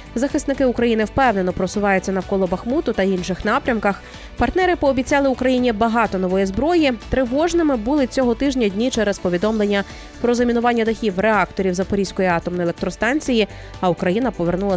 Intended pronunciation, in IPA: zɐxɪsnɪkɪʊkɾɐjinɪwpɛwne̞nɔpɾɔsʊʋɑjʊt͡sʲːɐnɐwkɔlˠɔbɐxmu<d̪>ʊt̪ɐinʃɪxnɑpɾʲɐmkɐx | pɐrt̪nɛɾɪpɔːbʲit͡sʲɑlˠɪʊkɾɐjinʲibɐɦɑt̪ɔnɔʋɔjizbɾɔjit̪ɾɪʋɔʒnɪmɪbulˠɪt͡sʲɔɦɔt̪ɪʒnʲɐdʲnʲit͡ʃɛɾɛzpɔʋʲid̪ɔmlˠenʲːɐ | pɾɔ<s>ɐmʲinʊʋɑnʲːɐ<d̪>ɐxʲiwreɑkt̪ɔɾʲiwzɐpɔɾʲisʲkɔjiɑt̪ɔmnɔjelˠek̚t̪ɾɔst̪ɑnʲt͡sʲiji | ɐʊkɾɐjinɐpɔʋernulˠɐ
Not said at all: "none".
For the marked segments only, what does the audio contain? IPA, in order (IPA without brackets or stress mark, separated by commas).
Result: t̪, z, d̪